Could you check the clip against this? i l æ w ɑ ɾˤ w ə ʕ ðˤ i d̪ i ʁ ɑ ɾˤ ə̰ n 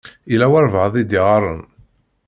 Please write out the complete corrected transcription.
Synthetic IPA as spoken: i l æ w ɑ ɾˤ v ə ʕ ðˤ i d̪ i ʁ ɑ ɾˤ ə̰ n